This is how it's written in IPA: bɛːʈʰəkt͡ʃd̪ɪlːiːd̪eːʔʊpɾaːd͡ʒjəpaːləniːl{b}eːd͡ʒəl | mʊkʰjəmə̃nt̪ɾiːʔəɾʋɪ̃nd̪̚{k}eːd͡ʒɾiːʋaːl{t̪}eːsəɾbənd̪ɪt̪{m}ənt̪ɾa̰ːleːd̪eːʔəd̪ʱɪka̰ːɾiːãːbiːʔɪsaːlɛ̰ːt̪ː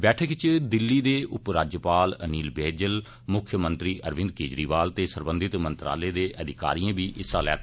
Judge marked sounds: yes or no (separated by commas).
yes, yes, yes, yes